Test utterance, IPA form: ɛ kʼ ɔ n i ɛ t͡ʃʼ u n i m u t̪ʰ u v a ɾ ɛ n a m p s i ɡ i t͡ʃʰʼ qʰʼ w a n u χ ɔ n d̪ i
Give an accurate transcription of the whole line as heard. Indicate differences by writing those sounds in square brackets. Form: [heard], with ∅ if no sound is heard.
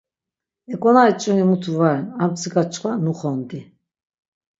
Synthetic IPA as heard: ɛ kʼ ɔ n [a] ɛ t͡ʃʼ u n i m u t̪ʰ u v a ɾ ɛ n a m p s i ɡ [a] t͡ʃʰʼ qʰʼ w a n u χ ɔ n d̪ i

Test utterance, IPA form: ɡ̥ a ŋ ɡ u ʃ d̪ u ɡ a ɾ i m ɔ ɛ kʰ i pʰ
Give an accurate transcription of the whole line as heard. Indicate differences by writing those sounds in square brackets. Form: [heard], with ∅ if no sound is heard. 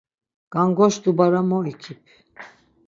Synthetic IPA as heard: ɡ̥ a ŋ ɡ [ɔ] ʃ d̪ u [b] a ɾ [a] m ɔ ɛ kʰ i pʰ

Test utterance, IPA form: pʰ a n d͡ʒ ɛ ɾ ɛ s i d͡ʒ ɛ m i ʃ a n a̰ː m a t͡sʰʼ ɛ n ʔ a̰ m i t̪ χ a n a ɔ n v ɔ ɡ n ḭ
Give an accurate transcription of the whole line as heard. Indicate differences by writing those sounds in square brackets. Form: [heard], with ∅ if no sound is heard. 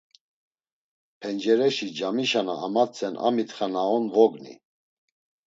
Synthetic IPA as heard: pʰ [ɛ] n d͡ʒ ɛ ɾ ɛ [ʃ] i d͡ʒ [a] m i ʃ a n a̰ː m a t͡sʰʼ ɛ n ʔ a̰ m i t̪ χ a n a ɔ n v ɔ ɡ n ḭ

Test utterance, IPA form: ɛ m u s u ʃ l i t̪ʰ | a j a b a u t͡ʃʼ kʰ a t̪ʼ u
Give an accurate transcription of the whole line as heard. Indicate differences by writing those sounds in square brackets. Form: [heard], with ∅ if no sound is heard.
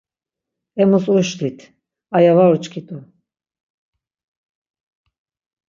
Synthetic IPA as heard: ɛ m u s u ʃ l i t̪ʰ | a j a [v] a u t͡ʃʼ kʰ [i] t̪ʼ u

